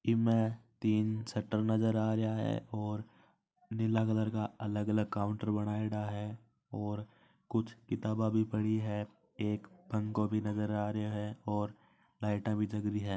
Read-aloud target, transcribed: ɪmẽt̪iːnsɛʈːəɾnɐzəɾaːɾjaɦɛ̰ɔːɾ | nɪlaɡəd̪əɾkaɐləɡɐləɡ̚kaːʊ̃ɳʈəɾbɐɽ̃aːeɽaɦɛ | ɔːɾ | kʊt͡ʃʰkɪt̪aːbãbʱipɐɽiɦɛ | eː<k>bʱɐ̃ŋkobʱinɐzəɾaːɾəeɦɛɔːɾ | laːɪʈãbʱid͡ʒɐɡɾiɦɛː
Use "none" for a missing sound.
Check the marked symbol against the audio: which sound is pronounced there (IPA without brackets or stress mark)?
k